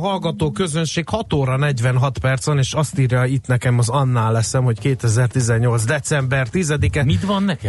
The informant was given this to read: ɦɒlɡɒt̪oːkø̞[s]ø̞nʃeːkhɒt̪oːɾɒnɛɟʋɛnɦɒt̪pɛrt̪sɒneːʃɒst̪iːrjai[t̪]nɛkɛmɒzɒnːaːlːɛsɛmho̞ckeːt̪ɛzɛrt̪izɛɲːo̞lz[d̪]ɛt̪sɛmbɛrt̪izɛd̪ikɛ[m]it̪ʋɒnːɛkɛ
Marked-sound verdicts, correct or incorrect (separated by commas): incorrect, correct, correct, correct